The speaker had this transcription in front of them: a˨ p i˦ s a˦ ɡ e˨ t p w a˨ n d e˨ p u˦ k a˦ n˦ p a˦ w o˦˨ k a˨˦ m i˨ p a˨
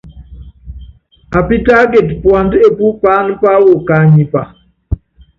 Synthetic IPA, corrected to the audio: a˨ p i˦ t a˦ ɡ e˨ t p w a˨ n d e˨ p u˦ p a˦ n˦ p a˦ w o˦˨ k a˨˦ ɲ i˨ p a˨